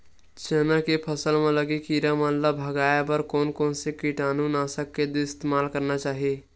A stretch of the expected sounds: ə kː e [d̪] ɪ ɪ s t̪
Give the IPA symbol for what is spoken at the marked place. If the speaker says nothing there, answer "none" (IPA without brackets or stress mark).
d̪